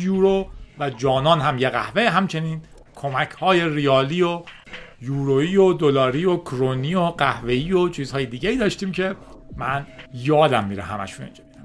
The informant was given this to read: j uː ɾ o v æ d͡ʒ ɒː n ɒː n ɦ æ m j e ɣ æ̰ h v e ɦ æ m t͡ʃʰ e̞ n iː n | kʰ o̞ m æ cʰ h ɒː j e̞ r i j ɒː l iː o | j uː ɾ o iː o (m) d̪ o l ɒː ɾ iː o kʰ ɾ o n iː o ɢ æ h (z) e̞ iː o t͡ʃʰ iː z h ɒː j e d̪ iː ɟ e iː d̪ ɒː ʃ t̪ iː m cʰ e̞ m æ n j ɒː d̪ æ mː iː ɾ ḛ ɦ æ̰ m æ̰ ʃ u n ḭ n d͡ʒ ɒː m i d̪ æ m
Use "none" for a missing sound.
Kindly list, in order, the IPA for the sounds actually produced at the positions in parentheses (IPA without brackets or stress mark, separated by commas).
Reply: none, v